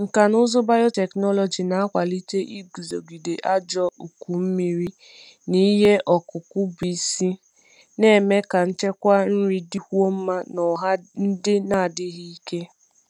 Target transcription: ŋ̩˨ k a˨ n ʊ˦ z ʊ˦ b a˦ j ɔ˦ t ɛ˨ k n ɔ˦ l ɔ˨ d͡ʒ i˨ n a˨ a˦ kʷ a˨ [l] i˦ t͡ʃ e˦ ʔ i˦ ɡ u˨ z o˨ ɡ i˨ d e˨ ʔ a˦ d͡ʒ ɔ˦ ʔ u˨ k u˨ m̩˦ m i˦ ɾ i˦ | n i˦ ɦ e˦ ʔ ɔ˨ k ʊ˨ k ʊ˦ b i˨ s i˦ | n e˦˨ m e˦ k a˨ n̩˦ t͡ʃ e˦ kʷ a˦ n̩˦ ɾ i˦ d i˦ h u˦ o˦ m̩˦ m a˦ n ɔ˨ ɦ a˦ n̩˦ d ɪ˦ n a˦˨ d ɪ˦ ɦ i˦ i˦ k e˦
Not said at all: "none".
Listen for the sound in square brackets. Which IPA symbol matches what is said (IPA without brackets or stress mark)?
l